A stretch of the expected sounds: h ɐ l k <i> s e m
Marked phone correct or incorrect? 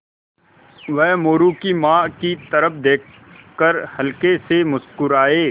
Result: incorrect